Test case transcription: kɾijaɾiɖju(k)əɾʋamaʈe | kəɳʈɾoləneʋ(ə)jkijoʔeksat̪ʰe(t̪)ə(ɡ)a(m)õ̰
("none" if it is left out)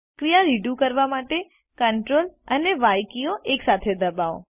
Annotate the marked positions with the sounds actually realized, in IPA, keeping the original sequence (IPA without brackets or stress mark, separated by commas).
k, a, d̪, b, none